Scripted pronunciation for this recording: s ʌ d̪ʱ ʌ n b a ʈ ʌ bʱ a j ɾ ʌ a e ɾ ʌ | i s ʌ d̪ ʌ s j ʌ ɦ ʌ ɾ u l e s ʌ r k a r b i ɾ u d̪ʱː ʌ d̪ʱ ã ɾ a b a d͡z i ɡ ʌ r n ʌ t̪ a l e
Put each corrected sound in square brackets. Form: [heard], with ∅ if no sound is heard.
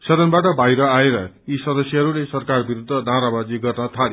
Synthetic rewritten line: s ʌ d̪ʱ ʌ n b a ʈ ʌ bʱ a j ɾ ʌ a e ɾ ʌ | i s ʌ d̪ ʌ s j ʌ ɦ ʌ ɾ u l e s ʌ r k a r b i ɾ u d̪ʱː ʌ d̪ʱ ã ɾ a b a d͡z i ɡ ʌ r n ʌ [t̪ʰ] a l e

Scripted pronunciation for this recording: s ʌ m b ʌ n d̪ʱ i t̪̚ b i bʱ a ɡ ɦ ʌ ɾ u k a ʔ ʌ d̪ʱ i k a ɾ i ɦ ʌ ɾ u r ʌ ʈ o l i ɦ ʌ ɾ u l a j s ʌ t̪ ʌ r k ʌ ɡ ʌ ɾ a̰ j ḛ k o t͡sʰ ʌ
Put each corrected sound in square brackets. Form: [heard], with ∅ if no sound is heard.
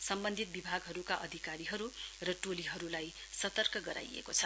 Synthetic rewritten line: s ʌ m b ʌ n d̪ʱ i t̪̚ b i bʱ a ɡ ɦ ʌ ɾ u k a ʔ ʌ d̪ʱ i k a ɾ i ɦ ʌ ɾ u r ʌ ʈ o l i ɦ ʌ ɾ u l a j s ʌ t̪ ʌ r k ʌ ɡ ʌ ɾ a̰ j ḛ k o t͡sʰ ʌ

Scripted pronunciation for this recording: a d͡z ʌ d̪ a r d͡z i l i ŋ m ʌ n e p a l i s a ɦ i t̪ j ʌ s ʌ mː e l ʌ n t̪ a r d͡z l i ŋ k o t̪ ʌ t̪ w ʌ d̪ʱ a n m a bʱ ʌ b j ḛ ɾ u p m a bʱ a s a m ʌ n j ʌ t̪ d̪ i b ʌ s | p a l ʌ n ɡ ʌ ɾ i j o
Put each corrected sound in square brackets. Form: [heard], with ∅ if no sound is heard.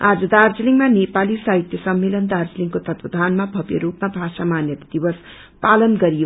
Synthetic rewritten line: a d͡z ʌ d̪ a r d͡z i l i ŋ m [a] n e p a l i s a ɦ i t̪ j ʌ s ʌ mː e l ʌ n [d̪] a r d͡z l i ŋ k o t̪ ʌ t̪ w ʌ d̪ʱ a n m a bʱ ʌ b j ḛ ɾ u p m a bʱ a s a m [a] n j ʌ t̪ d̪ i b ʌ s | p a l ʌ n ɡ ʌ ɾ i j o

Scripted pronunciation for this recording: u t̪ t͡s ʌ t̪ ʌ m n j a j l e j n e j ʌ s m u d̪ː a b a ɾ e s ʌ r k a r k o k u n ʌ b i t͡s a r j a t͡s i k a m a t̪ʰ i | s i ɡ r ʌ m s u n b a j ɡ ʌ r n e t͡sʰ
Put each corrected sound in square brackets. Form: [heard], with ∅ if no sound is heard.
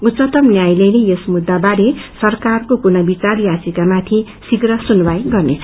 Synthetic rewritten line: u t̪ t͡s ʌ t̪ ʌ m n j a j l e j n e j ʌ s m u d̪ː a b a ɾ e s ʌ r k a r k o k u n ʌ b i t͡s a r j a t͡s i k a m a t̪ʰ i | s i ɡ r ʌ [∅] s u n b a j ɡ ʌ r n e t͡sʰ

